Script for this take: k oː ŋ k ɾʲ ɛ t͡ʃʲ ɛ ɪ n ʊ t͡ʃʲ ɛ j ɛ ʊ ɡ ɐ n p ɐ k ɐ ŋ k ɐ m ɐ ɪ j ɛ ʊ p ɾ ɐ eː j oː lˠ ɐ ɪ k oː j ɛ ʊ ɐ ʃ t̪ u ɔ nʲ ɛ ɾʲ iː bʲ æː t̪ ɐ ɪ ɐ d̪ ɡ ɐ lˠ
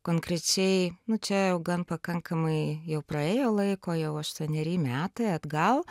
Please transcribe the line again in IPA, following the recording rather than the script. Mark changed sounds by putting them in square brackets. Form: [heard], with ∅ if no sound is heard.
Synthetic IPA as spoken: k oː ŋ k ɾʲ ɛ t͡ʃʲ ɛ ɪ n ʊ t͡ʃʲ ɛ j ɛ ʊ ɡ ɐ n p ɐ k ɐ ŋ k ɐ m ɐ ɪ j ɛ ʊ p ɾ ɐ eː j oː lˠ ɐ ɪ k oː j ɛ ʊ ɐ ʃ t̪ u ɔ nʲ ɛ ɾʲ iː [mʲ] æː t̪ ɐ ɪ ɐ d̪ ɡ ɐ lˠ

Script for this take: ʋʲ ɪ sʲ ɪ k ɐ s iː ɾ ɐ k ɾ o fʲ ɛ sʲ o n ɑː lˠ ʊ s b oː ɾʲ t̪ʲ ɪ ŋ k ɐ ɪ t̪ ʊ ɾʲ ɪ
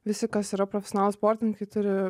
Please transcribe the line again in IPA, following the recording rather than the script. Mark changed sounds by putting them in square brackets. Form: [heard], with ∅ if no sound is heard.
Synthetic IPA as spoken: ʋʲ ɪ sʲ ɪ k ɐ s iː ɾ ɐ [p] ɾ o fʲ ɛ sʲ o n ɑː lˠ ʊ s [p] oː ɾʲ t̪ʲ ɪ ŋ k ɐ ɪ t̪ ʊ ɾʲ ɪ

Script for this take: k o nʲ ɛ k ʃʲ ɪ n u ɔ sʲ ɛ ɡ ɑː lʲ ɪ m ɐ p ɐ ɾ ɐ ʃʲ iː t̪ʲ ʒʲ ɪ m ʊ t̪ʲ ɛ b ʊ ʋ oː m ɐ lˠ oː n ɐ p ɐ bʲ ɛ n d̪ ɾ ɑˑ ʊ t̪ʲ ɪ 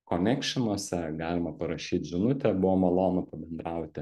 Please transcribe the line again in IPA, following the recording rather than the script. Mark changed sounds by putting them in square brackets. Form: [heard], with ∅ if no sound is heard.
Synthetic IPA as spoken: k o nʲ ɛ k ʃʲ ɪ n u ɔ sʲ ɛ ɡ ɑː lʲ ɪ m ɐ p ɐ ɾ ɐ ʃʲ iː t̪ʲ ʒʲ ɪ [n] ʊ t̪ʲ ɛ b ʊ ʋ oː m ɐ lˠ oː n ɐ p ɐ bʲ ɛ n d̪ ɾ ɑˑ ʊ t̪ʲ ɪ

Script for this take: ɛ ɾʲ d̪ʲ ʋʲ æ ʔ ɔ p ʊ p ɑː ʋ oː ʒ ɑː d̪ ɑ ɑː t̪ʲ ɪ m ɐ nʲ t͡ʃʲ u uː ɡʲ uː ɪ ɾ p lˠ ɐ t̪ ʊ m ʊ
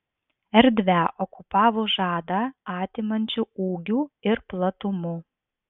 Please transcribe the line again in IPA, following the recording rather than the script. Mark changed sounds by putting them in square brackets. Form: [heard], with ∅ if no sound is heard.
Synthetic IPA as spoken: ɛ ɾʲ d̪ʲ ʋʲ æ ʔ ɔ [k] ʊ p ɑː ʋ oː ʒ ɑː d̪ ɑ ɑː t̪ʲ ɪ m ɐ nʲ t͡ʃʲ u uː ɡʲ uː ɪ ɾ p lˠ ɐ t̪ ʊ m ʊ

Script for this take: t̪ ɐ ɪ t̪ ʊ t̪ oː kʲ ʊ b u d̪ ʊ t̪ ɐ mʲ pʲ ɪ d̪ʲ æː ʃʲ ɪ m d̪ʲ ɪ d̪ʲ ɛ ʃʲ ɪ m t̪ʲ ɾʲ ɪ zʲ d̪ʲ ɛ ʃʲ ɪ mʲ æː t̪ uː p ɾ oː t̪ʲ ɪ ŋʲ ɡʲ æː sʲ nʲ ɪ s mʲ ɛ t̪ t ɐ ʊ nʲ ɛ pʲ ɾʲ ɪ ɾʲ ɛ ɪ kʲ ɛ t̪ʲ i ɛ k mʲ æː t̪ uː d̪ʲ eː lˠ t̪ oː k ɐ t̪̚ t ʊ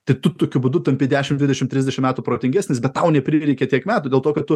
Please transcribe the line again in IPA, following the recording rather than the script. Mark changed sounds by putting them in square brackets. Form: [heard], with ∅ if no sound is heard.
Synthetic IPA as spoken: t̪ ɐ ɪ t̪ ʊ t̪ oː kʲ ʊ b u d̪ ʊ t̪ ɐ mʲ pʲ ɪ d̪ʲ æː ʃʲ ɪ m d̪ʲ ɪ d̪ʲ ɛ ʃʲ ɪ m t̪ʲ ɾʲ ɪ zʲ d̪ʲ ɛ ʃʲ ɪ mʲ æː t̪ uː p ɾ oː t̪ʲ ɪ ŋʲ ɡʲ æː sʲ nʲ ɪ s [bʲ] ɛ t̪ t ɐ ʊ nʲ ɛ pʲ ɾʲ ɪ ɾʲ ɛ ɪ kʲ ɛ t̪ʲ i ɛ k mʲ æː t̪ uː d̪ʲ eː lˠ t̪ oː k ɐ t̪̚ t ʊ

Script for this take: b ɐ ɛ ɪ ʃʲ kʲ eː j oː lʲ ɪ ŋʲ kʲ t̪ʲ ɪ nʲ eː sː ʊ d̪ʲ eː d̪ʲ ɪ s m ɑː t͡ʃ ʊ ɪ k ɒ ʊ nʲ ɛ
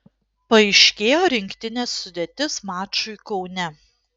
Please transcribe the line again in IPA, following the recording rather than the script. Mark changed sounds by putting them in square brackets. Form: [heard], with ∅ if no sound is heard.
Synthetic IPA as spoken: [p] ɐ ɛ ɪ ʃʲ kʲ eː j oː [ɾʲ] ɪ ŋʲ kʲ t̪ʲ ɪ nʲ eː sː ʊ d̪ʲ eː [t̪ʲ] ɪ s m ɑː t͡ʃ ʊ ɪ k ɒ ʊ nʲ ɛ

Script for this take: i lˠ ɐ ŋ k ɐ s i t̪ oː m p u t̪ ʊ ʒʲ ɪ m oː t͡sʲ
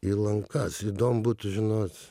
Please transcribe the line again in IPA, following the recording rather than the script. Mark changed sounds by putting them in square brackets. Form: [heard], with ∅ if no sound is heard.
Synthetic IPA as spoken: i lˠ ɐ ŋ k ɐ s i [d̪] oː m [b] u t̪ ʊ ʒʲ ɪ [n] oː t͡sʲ

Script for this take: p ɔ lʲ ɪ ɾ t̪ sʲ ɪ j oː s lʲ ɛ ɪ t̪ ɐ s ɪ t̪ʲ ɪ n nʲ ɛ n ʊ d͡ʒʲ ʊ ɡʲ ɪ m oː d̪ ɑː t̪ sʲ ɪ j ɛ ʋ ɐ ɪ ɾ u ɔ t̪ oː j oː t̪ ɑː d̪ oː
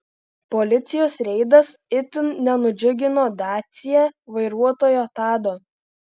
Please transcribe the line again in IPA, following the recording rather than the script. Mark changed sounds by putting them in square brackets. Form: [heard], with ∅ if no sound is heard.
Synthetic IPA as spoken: p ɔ lʲ ɪ [∅] t̪ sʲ ɪ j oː s [ɾʲ] ɛ ɪ [d̪] ɐ s ɪ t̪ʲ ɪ n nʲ ɛ n ʊ d͡ʒʲ ʊ ɡʲ ɪ [n] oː d̪ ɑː t̪ sʲ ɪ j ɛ ʋ ɐ ɪ ɾ u ɔ t̪ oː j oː t̪ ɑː d̪ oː

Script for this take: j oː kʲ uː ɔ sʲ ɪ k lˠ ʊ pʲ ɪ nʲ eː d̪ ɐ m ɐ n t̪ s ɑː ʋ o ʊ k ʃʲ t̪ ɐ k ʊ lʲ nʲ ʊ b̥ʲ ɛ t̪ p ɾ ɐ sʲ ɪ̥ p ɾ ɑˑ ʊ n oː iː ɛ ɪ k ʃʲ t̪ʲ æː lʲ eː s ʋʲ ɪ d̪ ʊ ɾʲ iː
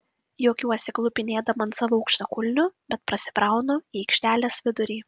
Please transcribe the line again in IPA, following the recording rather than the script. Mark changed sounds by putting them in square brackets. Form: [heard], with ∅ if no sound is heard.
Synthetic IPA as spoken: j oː kʲ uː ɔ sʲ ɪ k lˠ ʊ pʲ ɪ nʲ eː d̪ ɐ m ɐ n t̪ s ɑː ʋ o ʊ k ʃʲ t̪ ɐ k ʊ lʲ nʲ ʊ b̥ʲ ɛ t̪ p ɾ ɐ sʲ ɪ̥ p ɾ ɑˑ ʊ n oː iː ɛ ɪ k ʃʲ t̪ʲ æː lʲ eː s ʋʲ ɪ d̪ ʊ ɾʲ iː

